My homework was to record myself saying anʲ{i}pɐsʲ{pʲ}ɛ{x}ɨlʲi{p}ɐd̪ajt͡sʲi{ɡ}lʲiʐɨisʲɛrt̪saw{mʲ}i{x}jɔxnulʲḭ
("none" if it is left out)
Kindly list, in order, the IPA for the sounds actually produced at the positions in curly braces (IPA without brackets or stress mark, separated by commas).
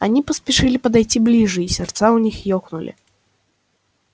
i, pʲ, ʂ, p, b, nʲ, x